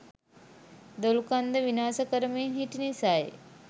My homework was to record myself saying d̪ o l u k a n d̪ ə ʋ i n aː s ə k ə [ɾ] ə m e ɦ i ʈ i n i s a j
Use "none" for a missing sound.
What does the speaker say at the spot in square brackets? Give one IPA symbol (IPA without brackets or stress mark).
ɾ